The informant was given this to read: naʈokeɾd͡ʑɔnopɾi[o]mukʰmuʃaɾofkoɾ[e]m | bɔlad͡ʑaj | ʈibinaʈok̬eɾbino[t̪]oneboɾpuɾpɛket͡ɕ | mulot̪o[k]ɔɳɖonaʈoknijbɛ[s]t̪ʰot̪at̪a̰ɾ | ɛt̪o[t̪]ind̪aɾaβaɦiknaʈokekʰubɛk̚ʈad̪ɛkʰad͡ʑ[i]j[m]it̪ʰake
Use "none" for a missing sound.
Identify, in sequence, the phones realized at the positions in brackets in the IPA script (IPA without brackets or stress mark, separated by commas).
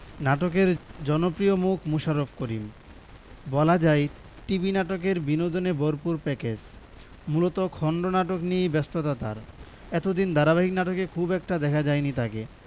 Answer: o, i, d̪, kʰ, s, d̪, a, n